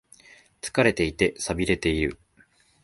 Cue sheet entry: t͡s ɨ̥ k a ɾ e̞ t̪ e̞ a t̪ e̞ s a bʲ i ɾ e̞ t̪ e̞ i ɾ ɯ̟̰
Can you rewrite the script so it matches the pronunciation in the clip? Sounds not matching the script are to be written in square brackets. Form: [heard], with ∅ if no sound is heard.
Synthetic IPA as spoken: t͡s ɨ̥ k a ɾ e̞ t̪ e̞ [i] t̪ e̞ s a bʲ i ɾ e̞ t̪ e̞ i ɾ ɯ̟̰